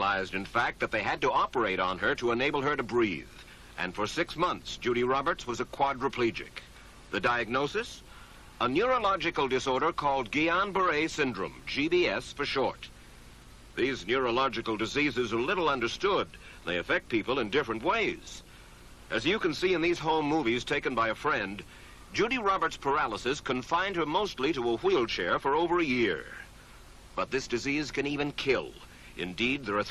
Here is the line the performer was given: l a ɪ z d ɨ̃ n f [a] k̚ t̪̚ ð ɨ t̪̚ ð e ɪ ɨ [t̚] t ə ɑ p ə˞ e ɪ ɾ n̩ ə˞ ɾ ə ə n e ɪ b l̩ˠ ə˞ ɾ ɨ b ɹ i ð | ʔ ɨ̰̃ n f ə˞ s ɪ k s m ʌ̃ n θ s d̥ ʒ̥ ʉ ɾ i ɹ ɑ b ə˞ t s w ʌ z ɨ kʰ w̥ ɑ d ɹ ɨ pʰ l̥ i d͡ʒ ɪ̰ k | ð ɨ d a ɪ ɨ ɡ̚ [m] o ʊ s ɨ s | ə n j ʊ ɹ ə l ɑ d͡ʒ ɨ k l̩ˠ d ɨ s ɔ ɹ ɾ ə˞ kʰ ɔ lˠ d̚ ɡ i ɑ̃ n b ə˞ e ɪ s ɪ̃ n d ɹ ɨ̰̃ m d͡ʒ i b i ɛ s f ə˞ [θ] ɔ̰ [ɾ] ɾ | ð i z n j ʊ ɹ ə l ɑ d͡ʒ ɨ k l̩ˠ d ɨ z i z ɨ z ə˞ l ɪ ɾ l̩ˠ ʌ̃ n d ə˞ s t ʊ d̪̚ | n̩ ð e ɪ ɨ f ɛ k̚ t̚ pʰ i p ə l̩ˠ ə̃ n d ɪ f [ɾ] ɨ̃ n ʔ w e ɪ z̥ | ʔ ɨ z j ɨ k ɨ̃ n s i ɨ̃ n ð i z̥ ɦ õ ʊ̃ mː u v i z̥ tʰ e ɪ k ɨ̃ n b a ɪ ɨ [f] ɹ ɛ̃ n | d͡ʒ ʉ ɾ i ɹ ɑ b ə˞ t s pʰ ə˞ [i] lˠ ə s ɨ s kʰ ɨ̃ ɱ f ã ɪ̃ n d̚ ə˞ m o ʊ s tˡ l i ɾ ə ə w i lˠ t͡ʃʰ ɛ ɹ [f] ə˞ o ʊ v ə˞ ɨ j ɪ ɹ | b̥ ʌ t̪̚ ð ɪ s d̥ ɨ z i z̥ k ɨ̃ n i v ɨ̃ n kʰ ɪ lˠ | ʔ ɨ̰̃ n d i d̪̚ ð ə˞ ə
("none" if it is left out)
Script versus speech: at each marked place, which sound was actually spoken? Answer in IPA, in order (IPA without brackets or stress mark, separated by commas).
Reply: æ, d̚, n, ʃ, ɹ, ɹ, f, æ, f